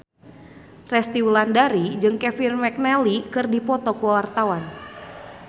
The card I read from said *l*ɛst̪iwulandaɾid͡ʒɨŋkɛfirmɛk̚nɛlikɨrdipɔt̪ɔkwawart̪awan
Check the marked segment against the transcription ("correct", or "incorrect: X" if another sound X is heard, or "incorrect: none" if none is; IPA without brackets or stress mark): incorrect: r